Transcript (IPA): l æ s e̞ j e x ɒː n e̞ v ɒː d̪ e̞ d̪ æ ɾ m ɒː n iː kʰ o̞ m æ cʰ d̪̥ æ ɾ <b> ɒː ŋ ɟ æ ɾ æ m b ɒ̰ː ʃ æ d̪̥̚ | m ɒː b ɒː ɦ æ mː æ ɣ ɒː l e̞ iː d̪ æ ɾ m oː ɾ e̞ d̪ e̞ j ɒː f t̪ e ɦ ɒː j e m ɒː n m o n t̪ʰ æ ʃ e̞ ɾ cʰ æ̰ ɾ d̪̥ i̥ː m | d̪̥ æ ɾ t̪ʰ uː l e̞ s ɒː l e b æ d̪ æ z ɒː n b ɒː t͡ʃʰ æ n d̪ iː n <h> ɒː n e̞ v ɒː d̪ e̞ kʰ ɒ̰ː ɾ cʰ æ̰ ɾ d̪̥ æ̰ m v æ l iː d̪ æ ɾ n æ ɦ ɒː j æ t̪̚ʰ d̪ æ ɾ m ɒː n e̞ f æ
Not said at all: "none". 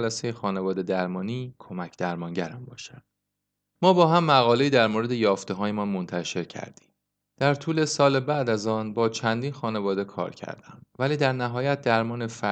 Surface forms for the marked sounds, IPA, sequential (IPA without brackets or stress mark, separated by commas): m, x